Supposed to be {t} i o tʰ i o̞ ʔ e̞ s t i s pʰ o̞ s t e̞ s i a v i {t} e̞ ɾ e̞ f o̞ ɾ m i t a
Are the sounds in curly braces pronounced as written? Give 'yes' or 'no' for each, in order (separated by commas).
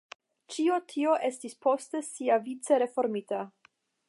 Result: no, no